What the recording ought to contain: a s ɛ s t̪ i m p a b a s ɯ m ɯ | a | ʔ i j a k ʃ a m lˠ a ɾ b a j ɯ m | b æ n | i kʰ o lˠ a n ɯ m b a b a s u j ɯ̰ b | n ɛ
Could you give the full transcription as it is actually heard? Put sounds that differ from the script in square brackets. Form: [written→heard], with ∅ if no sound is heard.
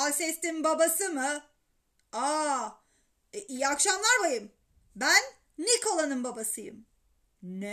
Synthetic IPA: a s ɛ s t̪ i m [p→b] a b a s ɯ m ɯ | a | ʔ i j a k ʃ a m lˠ a ɾ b a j ɯ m | b æ [n→nː] | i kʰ o lˠ a n ɯ m b a b a s [u→ɯ] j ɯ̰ [b→m] | n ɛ